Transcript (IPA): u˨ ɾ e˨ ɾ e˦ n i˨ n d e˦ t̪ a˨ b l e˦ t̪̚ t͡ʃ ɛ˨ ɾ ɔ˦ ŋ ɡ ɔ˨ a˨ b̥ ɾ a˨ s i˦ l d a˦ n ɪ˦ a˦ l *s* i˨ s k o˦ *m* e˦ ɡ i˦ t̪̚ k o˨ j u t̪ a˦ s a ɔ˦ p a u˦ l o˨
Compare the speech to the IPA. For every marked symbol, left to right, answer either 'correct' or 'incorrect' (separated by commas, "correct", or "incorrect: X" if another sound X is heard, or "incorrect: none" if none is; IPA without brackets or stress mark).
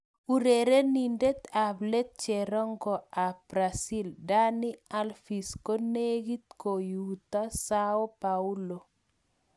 incorrect: f, incorrect: n